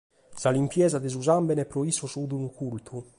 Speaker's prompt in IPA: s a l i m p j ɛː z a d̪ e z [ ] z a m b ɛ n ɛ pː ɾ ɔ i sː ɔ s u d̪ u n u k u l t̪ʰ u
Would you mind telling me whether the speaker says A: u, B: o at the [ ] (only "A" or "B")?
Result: A